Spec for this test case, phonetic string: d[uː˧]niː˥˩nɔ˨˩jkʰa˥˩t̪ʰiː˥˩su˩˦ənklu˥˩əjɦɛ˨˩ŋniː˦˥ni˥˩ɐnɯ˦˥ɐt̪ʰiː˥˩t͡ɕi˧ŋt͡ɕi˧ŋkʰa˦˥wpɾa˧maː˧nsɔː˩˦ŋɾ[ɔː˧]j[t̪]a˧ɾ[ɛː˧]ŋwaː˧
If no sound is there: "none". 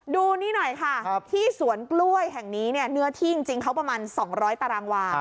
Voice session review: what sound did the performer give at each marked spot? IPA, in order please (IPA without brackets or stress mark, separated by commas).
uː˧, ɔː˦˥, t̪, aː˧